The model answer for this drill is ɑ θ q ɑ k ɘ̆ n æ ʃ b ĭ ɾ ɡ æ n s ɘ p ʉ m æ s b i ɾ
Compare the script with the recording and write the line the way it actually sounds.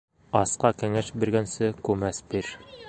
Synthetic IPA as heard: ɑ s q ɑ k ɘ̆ ŋ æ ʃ b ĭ ɾ ɡ æ n s ɘ k ʉ m æ s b i ɾ